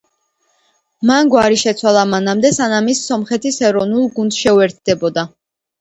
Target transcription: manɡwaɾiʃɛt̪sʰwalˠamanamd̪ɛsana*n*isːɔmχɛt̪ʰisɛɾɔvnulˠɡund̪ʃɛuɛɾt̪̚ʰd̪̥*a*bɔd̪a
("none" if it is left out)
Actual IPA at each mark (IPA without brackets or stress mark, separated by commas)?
m, ɛ